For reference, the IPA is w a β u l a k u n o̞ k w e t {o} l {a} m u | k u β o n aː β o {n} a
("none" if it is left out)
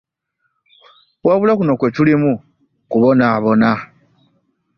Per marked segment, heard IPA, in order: u, i, n

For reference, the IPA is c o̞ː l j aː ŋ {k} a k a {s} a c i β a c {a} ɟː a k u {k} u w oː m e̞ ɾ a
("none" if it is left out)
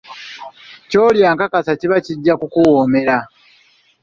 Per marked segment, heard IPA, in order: k, s, i, k

